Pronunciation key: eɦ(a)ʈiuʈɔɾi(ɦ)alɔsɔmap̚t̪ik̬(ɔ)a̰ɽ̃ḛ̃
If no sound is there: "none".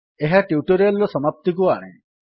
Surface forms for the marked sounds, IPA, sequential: a, none, u

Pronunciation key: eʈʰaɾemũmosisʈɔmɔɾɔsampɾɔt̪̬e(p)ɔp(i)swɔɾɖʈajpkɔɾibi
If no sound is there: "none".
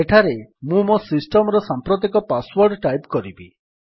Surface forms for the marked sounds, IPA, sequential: k, a

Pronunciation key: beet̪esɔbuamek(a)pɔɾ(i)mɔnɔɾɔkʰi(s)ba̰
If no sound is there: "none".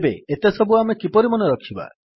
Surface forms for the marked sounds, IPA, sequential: i, i, none

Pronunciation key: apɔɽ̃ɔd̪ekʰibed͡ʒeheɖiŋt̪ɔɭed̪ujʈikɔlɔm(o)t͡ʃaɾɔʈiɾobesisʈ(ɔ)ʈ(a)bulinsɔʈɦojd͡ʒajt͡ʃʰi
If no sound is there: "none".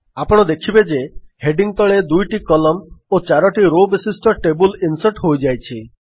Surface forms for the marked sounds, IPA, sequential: o, ɔ, e

